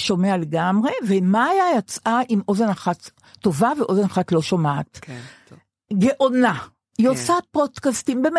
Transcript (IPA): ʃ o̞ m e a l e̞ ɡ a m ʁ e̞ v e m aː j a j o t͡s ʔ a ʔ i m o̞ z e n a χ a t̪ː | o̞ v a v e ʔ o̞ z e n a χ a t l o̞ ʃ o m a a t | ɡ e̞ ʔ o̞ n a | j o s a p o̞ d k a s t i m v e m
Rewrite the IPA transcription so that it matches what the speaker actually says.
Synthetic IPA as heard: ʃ o̞ m e a l e̞ ɡ a m ʁ e̞ v e m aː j a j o t͡s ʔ a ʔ i m o̞ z e n a χ a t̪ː | o̞ v a v e ʔ o̞ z e n a χ a t l o̞ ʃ o m a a t | ɡ e̞ ʔ o̞ n a | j o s a p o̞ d k a s t i m b e m